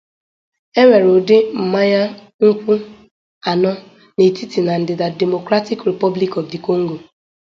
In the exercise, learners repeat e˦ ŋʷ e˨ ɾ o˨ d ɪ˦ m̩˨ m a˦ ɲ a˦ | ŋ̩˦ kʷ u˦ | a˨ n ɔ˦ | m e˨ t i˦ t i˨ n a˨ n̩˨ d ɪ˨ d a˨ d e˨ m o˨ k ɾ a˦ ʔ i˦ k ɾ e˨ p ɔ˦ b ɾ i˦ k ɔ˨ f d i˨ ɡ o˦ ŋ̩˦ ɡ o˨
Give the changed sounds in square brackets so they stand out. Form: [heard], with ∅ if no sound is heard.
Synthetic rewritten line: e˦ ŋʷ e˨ ɾ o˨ d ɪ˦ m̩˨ m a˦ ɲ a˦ | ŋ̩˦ kʷ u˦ | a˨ n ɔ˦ | [n] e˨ t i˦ t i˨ n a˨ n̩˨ d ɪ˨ d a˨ d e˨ m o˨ k ɾ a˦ [t] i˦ k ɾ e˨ p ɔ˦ b [l] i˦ k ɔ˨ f d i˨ [k] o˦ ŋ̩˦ ɡ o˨

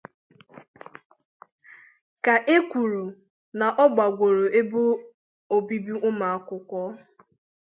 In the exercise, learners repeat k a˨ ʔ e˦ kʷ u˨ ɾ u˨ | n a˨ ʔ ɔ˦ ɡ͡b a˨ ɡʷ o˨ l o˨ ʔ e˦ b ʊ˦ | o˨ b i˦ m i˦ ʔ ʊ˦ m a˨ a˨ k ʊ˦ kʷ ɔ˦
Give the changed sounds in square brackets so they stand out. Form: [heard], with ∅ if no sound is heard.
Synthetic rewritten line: k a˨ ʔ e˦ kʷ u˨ ɾ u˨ | n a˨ ʔ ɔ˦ ɡ͡b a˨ ɡʷ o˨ [ɾ] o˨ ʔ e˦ b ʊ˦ | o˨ b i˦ [b] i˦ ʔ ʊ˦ m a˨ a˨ k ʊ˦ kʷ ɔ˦

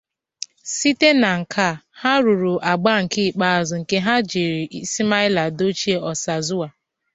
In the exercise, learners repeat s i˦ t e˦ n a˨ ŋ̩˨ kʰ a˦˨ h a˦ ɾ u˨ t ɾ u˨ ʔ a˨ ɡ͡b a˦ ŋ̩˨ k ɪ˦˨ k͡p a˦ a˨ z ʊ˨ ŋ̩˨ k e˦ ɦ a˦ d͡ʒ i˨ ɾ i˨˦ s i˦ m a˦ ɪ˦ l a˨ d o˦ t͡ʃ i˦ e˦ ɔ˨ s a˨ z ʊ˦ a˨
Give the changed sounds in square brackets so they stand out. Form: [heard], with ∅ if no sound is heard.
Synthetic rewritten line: s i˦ t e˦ n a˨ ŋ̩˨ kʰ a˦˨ h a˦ ɾ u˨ [∅] ɾ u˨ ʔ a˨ ɡ͡b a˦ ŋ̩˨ k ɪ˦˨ k͡p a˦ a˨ z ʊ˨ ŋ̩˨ k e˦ ɦ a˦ d͡ʒ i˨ ɾ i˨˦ s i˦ m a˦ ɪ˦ l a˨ d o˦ t͡ʃ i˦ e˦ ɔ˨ s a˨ z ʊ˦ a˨

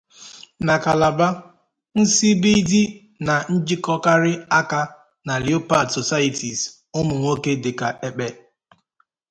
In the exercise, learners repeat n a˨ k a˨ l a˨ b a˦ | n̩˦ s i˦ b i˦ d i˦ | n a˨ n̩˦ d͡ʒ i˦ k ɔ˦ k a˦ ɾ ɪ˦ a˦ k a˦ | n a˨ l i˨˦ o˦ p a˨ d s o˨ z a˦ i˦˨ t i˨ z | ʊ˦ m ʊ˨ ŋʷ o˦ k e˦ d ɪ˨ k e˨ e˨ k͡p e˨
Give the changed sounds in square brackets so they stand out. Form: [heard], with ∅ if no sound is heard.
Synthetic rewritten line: n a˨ k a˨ l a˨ b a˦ | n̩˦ s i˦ b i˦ d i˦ | n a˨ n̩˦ d͡ʒ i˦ k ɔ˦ k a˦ ɾ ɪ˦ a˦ k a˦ | n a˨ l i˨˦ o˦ p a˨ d s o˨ [s] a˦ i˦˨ t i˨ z | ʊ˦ m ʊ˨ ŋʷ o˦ k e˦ d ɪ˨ k [a˨] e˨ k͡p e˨

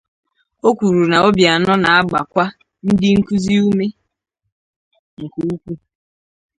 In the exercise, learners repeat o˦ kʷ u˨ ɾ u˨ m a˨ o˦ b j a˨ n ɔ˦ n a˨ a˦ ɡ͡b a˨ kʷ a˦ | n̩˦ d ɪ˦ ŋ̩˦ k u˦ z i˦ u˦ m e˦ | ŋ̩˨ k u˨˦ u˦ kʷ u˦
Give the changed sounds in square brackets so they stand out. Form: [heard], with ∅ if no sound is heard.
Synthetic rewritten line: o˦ kʷ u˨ ɾ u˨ [n] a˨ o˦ b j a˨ n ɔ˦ n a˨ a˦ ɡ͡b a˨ kʷ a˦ | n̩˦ d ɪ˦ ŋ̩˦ k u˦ z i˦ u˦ m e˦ | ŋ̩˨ k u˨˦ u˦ kʷ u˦

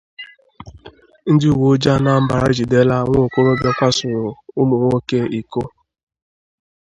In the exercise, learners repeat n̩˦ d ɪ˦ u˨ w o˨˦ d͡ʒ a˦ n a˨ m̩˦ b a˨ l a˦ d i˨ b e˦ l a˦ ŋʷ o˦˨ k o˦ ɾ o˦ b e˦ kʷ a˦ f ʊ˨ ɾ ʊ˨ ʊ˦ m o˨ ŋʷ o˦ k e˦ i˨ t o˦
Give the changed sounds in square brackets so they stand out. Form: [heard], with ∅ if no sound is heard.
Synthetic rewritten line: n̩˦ d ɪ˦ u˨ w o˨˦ d͡ʒ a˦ n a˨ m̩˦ b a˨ [ɾ] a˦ [d͡ʒ] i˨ [d] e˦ l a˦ ŋʷ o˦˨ k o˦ ɾ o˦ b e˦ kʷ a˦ [s] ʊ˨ ɾ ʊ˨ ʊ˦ m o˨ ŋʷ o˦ k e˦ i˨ [k] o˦

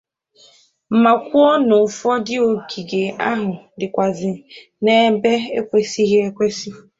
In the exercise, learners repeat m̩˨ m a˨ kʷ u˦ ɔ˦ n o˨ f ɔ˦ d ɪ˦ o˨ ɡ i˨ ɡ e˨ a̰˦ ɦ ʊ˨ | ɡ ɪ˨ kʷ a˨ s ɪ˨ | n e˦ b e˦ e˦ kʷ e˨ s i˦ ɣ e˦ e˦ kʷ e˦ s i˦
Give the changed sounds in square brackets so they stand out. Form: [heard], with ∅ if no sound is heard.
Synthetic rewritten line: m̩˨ m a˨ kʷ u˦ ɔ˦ n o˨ f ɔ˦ d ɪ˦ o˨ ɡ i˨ ɡ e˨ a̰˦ ɦ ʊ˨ | [d] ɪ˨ kʷ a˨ [z] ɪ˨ | n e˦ b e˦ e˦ kʷ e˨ s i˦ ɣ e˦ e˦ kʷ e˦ s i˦

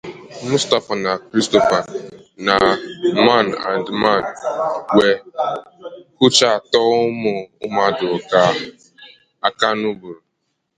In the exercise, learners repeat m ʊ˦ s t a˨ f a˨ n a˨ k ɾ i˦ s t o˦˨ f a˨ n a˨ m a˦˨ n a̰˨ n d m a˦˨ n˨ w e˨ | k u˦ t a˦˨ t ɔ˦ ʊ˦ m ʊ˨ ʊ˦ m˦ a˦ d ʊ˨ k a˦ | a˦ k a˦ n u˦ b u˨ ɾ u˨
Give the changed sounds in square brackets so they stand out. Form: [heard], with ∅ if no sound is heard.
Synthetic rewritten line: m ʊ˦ s t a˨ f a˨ n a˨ k ɾ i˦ s t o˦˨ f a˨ n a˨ m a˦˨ n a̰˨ n d m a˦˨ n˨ w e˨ | k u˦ [t͡ʃ] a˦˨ t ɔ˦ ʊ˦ m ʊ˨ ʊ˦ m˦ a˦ d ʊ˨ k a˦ | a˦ k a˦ n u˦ b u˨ ɾ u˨

